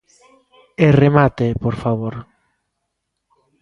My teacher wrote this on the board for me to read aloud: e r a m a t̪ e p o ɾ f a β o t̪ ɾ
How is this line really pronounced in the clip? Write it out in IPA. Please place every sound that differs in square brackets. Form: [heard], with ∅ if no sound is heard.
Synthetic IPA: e r [e] m a t̪ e p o ɾ f a β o [∅] ɾ